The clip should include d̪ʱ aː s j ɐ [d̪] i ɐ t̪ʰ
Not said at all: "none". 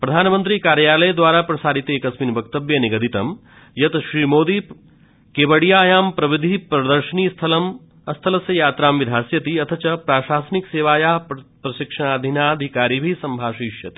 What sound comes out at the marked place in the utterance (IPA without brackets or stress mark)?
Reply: t̪